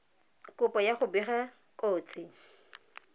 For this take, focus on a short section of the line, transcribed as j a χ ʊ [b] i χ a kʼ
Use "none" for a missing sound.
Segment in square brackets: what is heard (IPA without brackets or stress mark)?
b